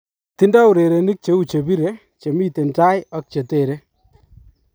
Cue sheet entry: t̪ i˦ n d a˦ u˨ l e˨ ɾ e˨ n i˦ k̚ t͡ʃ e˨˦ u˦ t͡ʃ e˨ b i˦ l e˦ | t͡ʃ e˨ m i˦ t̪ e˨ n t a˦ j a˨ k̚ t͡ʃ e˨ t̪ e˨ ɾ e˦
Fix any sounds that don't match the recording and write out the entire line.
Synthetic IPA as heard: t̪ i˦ n d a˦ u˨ ɾ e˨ ɾ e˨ n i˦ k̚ t͡ʃ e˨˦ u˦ t͡ʃ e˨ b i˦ ɾ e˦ | t͡ʃ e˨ m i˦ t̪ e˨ n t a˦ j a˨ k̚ t͡ʃ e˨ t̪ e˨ ɾ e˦

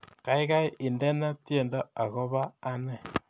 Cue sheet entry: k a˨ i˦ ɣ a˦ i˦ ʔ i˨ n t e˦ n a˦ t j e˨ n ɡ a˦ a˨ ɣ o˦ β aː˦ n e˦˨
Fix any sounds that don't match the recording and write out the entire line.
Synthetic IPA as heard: k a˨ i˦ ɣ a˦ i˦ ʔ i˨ n d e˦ n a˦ t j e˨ n d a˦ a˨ ɣ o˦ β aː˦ n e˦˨

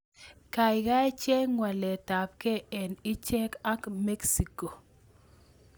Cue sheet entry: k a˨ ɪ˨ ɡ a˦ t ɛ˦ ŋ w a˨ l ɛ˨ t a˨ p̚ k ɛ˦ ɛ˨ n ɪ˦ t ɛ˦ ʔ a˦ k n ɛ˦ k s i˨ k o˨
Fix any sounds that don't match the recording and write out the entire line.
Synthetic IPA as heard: k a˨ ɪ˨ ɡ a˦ t͡ʃ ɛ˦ ŋ w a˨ l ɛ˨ t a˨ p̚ k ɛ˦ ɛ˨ n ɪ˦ t͡ʃ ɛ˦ k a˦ k m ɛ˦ k s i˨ k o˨

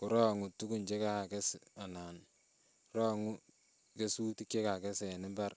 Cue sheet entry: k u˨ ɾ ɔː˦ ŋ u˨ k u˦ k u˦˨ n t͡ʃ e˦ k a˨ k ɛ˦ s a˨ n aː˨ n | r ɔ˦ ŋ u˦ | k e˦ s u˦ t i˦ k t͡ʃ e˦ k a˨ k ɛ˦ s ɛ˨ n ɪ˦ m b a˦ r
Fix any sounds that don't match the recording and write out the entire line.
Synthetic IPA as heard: k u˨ ɾ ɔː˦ ŋ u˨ t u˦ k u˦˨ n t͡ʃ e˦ k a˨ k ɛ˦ s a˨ n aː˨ n | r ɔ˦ ŋ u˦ | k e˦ s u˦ t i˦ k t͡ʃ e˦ k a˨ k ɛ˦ s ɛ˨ n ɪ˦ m b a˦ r

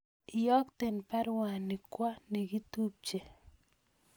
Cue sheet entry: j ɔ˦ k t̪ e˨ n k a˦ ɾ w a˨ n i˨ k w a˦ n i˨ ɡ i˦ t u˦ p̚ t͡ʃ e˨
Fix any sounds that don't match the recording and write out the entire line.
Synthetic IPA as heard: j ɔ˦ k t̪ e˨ n p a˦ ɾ w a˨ n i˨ k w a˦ n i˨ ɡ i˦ t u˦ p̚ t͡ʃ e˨

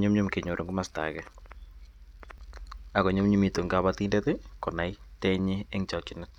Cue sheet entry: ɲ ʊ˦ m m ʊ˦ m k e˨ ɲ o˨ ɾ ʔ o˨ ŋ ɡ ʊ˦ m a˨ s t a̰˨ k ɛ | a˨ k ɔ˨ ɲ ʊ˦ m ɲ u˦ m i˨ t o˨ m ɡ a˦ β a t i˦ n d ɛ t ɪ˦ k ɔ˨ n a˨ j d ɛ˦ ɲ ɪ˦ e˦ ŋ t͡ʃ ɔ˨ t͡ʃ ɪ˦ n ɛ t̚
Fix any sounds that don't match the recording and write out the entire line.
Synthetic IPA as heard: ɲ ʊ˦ m ɲ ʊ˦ m k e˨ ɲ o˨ ɾ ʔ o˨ ŋ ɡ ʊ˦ m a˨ s t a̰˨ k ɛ | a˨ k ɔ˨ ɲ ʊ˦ m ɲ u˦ m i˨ t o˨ ŋ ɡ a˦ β a t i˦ n d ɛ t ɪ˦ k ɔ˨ n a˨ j t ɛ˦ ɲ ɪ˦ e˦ ŋ t͡ʃ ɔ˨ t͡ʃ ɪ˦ n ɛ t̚

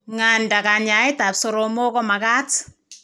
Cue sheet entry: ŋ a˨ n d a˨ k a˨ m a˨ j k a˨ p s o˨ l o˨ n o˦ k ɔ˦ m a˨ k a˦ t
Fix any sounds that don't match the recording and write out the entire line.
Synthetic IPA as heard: ŋ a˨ n d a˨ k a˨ ɲ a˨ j t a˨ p s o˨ ɾ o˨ m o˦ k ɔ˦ m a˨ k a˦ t

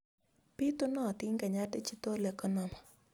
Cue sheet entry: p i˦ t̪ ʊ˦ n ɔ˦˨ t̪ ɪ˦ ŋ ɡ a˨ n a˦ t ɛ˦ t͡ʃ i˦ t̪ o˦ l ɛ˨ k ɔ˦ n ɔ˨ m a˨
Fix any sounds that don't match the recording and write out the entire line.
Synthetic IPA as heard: p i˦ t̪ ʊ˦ n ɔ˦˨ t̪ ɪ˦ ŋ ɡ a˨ ɲ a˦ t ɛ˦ t͡ʃ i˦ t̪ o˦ l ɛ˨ k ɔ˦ n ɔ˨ m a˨

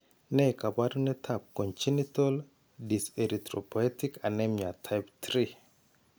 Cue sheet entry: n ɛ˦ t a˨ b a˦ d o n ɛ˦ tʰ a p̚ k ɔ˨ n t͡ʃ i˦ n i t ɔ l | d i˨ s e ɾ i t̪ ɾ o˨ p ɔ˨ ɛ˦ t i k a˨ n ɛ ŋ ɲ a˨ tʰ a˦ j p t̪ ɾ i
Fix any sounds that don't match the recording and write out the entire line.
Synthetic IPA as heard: n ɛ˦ k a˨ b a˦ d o n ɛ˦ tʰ a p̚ k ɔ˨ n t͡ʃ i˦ n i t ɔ l | d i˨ s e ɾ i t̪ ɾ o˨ p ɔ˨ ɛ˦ t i k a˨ n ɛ m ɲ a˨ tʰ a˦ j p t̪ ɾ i

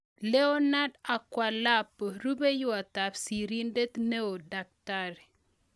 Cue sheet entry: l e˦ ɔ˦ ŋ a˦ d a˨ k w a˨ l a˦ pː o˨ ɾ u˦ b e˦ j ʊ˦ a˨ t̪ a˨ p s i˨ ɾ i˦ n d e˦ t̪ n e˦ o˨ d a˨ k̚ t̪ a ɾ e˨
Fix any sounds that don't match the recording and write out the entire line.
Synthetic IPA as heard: l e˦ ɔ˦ n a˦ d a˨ k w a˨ l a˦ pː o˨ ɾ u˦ b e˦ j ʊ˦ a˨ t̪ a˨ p s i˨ ɾ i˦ n d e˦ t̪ n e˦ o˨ d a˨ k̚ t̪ a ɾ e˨

